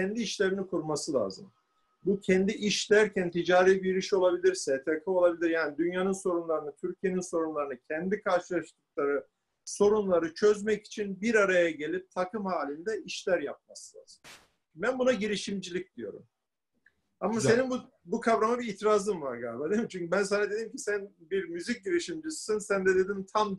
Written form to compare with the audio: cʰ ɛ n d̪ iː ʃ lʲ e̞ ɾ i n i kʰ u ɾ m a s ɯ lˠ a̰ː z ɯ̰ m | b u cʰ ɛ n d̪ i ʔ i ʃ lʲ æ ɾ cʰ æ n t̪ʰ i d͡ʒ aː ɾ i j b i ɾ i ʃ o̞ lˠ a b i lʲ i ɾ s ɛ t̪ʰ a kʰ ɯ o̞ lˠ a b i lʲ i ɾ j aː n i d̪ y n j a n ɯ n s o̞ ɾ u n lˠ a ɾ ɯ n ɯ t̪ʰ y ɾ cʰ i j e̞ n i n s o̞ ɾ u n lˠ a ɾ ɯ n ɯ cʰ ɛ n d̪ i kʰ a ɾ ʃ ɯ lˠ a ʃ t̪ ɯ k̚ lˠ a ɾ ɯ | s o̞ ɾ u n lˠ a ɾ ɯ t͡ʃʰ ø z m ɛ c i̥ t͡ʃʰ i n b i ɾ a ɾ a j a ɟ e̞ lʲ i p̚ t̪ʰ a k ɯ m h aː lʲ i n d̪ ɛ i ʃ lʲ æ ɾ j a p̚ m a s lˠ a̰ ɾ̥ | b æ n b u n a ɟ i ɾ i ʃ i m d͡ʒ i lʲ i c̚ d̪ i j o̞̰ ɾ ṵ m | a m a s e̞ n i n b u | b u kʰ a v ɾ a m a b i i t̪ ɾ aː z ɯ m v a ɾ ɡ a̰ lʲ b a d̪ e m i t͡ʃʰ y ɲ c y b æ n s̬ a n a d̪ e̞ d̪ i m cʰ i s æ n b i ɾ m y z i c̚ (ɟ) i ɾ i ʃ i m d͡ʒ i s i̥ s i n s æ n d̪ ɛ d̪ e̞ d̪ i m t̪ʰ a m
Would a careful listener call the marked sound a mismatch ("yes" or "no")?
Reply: no